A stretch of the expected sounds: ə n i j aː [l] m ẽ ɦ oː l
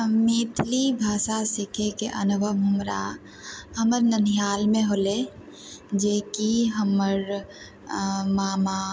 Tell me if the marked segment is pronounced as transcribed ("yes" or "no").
yes